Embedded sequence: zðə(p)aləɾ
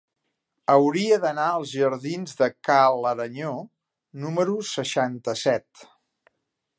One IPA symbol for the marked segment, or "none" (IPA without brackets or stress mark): k